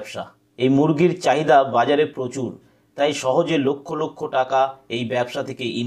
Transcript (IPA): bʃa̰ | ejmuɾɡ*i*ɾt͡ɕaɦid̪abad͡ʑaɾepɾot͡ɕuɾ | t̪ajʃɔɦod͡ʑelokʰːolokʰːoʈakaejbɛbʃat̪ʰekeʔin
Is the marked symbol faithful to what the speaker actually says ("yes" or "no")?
yes